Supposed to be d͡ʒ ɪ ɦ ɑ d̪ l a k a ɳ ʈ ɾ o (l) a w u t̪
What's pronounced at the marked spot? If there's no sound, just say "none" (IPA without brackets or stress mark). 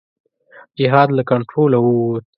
l